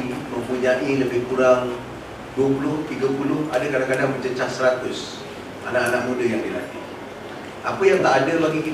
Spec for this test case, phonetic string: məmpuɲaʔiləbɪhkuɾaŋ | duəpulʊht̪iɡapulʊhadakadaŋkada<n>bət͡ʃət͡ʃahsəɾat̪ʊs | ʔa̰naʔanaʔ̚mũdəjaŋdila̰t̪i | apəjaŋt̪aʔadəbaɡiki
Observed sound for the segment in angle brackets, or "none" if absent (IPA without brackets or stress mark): ŋ